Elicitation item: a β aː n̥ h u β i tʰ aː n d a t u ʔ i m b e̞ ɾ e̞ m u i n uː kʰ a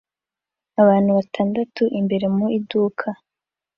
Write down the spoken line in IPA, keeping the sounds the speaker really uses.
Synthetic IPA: a β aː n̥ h u β a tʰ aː n d a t u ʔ i m b e̞ ɾ e̞ m u i d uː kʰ a